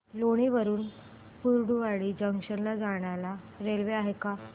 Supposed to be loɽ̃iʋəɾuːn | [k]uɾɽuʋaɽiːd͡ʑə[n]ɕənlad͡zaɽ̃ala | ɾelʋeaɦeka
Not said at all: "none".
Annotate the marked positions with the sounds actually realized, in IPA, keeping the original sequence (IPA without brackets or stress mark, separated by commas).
p, ŋ